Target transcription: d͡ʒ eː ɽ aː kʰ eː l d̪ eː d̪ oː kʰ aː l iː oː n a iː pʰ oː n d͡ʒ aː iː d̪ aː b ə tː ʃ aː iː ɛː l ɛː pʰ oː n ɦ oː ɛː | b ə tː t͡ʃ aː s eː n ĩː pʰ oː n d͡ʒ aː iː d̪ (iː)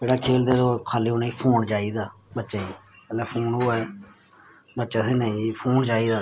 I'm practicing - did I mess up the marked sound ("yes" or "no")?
yes